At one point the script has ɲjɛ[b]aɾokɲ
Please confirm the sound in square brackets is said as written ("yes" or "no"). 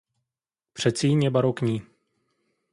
yes